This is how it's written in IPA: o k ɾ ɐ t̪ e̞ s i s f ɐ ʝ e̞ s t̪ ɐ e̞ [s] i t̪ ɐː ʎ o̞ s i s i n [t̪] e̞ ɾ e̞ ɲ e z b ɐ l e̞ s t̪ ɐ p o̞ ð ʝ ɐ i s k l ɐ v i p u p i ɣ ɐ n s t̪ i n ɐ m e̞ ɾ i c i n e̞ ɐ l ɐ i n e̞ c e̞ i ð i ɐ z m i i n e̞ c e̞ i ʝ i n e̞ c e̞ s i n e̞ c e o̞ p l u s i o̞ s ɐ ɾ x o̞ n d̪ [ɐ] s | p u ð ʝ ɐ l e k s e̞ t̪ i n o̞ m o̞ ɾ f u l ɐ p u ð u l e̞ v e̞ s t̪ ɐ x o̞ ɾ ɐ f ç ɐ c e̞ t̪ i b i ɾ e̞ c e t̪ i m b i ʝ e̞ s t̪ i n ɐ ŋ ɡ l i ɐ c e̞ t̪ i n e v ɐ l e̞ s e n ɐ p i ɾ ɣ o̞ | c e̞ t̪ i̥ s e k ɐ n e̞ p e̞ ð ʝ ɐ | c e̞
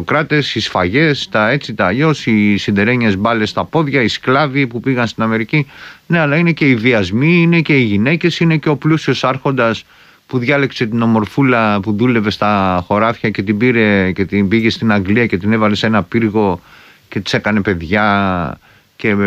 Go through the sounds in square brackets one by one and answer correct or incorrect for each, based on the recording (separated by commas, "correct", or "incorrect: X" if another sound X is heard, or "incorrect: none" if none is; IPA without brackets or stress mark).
incorrect: t͡s, incorrect: d̪, correct